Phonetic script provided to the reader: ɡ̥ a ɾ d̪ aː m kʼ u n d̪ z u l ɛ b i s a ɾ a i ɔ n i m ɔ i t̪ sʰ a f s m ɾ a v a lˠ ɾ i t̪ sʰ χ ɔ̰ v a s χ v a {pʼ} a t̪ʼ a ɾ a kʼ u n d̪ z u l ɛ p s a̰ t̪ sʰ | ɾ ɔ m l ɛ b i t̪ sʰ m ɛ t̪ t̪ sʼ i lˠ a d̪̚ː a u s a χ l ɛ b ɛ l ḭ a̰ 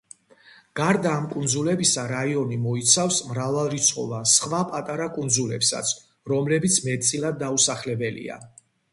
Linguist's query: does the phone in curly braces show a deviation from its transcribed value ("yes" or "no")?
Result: no